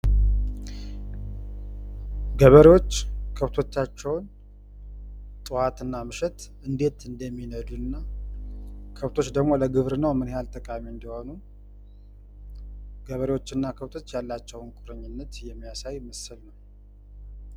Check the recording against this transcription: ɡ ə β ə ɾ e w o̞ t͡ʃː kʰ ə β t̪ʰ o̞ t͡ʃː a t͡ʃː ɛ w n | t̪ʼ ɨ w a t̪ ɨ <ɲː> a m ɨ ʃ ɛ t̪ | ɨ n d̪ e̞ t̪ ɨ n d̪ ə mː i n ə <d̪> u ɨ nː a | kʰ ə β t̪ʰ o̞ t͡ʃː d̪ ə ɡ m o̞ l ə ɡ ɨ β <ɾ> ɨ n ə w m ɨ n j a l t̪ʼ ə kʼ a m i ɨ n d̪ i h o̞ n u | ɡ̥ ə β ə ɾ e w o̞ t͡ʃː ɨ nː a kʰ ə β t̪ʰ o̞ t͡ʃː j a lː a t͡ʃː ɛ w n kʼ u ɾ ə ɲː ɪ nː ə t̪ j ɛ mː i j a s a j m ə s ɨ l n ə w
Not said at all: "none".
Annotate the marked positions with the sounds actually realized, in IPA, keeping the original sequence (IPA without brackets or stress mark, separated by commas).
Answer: nː, d̪, ɾ